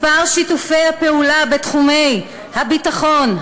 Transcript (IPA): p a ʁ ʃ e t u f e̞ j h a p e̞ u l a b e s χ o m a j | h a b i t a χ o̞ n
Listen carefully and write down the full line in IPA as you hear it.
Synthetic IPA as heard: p a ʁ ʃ i t u f e̞ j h a p e̞ u l a b e t χ u m e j | h a b i t a χ o̞ n